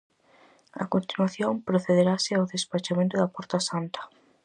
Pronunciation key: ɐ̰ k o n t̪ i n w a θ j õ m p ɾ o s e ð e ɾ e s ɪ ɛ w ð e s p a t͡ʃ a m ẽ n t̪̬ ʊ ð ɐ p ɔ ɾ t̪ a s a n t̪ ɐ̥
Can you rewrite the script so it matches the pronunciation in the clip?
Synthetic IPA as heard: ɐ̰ k o n t̪ i n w a θ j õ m p ɾ o θ e ð e ɾ a s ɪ a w ð e s p a t͡ʃ a m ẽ n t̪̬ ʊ ð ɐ p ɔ ɾ t̪ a s a n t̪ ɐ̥